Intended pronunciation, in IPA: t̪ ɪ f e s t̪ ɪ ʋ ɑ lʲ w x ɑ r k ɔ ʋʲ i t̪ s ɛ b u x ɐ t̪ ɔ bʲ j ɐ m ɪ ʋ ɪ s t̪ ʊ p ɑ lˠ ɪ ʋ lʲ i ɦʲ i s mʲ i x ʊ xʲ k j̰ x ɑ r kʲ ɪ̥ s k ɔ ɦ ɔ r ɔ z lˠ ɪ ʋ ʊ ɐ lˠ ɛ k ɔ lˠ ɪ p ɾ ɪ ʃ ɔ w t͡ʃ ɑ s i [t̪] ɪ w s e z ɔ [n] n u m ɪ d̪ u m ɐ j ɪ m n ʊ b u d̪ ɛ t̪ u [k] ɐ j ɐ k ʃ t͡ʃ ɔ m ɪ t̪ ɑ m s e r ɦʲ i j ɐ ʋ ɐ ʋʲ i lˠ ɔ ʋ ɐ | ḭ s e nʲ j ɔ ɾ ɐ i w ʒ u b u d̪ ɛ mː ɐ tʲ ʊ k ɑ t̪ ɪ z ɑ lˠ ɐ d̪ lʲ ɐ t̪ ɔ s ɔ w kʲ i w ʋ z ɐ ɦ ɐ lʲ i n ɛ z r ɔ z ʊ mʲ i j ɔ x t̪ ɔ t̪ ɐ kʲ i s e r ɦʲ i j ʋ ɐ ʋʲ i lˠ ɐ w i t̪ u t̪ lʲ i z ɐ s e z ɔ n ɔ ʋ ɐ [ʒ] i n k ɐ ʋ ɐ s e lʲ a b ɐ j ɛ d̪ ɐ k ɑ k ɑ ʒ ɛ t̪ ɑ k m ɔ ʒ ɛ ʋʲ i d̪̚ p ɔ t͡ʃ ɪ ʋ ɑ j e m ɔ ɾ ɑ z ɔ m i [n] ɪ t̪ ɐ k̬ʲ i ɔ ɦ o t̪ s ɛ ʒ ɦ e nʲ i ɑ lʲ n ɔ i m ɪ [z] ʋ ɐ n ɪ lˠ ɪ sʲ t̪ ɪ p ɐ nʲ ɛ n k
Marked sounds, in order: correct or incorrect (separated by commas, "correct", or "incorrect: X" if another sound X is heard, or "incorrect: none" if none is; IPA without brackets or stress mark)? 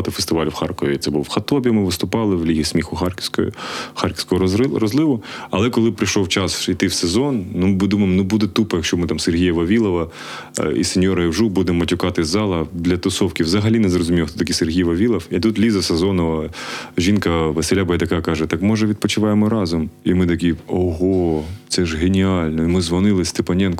correct, correct, incorrect: p, correct, incorrect: m, correct